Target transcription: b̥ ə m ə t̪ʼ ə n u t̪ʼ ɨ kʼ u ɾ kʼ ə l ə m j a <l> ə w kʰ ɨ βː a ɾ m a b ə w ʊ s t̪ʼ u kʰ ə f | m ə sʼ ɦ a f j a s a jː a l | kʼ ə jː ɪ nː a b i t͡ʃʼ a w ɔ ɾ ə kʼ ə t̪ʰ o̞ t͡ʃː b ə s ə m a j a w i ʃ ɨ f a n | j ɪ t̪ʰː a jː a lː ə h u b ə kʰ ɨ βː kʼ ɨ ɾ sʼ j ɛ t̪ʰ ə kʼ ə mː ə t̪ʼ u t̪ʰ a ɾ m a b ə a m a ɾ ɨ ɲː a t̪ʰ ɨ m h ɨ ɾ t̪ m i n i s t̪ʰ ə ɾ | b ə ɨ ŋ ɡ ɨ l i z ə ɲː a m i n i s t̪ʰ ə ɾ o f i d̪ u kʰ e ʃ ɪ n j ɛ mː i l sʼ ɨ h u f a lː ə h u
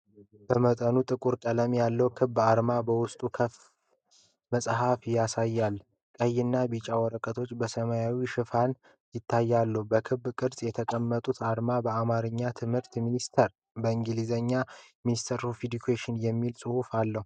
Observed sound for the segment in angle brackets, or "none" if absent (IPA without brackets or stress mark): lː